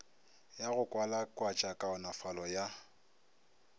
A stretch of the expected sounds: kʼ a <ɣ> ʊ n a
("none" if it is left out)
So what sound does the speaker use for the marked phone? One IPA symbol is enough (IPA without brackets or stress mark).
none